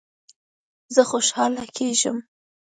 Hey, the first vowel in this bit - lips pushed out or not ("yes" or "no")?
no